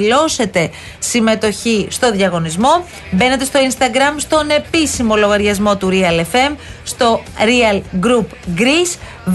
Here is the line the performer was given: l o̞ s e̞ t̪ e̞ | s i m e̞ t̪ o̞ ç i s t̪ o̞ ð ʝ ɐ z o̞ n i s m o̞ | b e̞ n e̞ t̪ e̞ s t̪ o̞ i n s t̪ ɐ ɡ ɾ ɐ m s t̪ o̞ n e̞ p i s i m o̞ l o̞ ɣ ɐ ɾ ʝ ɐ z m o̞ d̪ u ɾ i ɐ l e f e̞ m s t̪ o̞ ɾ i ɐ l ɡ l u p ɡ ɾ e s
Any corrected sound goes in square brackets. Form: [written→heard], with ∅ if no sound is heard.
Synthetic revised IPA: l o̞ s e̞ t̪ e̞ | s i m e̞ t̪ o̞ ç i s t̪ o̞ ð ʝ ɐ [z→ɣ] o̞ n i [s→z] m o̞ | b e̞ n e̞ t̪ e̞ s t̪ o̞ i n s t̪ ɐ ɡ ɾ ɐ m s t̪ o̞ n e̞ p i s i m o̞ l o̞ ɣ ɐ ɾ ʝ ɐ z m o̞ [d̪→t̪] u ɾ i ɐ l e f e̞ m s t̪ o̞ ɾ i ɐ l ɡ [l→ɾ] u p ɡ ɾ [e→i] s